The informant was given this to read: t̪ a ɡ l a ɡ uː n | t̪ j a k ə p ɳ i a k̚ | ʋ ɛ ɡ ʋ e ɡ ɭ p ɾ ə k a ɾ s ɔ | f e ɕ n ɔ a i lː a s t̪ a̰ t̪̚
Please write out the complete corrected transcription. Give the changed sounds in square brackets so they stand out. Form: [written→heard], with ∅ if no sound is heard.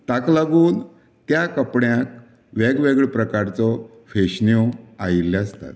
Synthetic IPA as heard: t̪ a [ɡ→k] l a ɡ uː n | t̪ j a k ə p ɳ [i→j] a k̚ | ʋ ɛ ɡ ʋ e ɡ ɭ p ɾ ə k a ɾ [s→t͡s] ɔ | f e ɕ n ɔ a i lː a s t̪ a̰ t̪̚